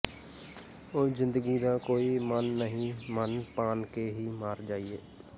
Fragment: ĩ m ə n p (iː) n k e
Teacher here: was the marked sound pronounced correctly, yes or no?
no